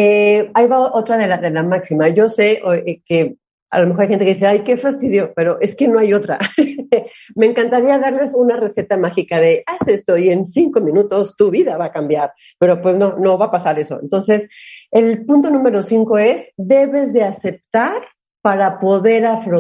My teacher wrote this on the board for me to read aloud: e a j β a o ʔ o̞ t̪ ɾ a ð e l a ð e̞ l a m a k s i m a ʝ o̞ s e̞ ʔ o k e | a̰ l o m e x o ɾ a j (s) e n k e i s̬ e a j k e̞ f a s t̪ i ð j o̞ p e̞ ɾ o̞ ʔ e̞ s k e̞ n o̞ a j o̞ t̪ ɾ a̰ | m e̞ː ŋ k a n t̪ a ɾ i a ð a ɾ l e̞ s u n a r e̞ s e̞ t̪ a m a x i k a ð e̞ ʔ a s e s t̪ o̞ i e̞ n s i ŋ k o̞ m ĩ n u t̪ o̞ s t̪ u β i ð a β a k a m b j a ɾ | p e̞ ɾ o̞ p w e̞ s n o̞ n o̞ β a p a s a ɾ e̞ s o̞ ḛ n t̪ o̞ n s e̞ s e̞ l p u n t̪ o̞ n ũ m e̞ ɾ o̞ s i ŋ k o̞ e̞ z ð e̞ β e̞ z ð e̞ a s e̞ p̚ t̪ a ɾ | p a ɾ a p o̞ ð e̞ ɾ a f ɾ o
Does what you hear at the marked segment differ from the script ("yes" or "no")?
yes